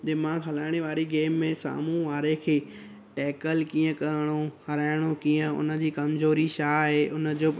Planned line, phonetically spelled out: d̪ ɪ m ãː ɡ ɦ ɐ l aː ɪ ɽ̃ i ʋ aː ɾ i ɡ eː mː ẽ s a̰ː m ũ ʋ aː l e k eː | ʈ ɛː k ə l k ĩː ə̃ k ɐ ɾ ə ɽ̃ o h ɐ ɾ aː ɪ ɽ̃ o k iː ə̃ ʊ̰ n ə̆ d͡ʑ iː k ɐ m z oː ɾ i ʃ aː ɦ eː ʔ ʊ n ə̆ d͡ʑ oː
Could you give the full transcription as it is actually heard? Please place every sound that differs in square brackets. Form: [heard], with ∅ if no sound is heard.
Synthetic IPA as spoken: d̪ ɪ m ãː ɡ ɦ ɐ l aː ɪ ɽ̃ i ʋ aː ɾ i ɡ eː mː ẽ s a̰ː m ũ ʋ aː [ɾ] e [kʰ] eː | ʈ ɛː k ə l k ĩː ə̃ k ɐ ɾ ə ɽ̃ o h ɐ ɾ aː ɪ ɽ̃ o k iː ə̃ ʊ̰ n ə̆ d͡ʑ iː k ɐ m z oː ɾ i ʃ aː ɦ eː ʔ ʊ n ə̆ d͡ʑ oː